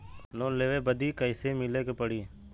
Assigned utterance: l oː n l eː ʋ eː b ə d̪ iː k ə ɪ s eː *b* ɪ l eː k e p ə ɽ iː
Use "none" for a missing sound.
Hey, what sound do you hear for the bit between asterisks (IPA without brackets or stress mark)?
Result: m